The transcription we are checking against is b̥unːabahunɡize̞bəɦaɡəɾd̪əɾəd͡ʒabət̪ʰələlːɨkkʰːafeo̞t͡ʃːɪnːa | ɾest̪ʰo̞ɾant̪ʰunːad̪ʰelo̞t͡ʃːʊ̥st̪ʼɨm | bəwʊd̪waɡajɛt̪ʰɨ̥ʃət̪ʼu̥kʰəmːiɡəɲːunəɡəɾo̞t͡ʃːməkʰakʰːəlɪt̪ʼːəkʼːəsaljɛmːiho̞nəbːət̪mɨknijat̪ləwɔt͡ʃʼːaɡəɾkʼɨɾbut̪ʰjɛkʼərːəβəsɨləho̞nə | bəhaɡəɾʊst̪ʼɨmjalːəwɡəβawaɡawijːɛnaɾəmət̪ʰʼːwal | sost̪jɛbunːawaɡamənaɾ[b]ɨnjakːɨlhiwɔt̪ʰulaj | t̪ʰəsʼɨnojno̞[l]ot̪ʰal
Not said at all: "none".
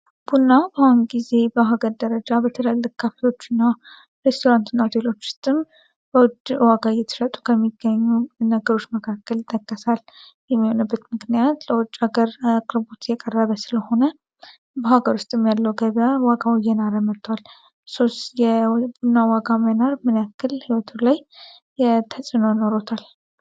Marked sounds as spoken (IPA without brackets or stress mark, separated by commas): m, ɾ